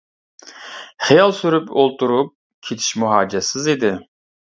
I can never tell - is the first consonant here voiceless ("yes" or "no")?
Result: yes